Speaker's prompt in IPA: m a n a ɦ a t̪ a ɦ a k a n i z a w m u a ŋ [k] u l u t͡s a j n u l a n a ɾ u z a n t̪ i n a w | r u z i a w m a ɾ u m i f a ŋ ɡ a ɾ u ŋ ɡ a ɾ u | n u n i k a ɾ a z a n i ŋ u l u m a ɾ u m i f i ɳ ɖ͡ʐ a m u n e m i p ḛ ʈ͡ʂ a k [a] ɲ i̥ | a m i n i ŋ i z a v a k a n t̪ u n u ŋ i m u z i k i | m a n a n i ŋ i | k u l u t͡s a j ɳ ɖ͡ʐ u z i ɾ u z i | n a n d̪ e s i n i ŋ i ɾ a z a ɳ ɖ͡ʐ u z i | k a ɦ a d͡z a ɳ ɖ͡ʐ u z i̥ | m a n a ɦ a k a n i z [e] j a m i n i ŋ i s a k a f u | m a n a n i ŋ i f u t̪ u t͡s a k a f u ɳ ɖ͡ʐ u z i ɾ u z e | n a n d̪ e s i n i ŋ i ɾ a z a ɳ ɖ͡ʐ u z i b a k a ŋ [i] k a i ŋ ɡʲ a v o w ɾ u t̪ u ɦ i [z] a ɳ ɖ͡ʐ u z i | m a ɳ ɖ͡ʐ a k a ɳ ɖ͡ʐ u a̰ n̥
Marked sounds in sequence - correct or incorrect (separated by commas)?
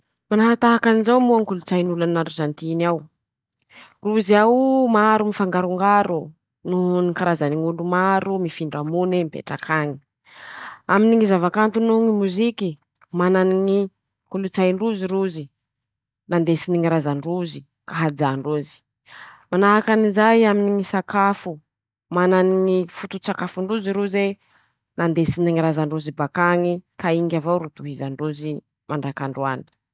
correct, correct, incorrect, correct, correct